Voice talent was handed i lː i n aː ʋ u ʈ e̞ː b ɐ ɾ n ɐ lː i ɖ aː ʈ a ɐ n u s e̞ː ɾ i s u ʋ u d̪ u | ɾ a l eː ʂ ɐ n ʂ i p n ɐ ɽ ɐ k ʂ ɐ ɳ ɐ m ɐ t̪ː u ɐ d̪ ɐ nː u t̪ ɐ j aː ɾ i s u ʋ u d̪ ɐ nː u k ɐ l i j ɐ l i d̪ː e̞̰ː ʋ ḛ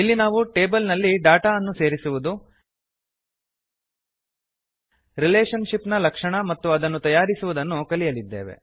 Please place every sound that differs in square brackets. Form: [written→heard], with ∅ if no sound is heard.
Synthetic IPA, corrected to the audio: i lː i n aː ʋ u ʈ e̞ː b ɐ [ɾ→l] n ɐ lː i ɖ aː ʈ a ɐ [n→nː] u s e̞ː ɾ i s u ʋ u d̪ u | ɾ [a→i] l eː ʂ ɐ n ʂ i p n ɐ [ɽ→l] ɐ k ʂ ɐ ɳ ɐ m ɐ t̪ː u ɐ d̪ ɐ nː u t̪ ɐ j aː ɾ i s u ʋ u d̪ ɐ nː u k ɐ l i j ɐ l i d̪ː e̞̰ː ʋ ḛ